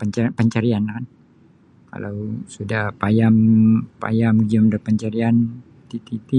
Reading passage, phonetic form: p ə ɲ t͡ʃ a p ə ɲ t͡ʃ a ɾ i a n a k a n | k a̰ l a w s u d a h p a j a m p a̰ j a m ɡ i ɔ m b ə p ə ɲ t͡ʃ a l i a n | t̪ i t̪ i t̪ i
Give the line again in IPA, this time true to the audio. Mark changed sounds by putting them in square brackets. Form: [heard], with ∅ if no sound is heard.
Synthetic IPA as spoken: p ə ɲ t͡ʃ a p ə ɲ t͡ʃ a ɾ i a n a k a n | k a̰ l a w s u d a h p a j a m p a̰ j a m ɡ i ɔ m [d] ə p ə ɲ t͡ʃ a [ɾ] i a n | t̪ i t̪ i t̪ i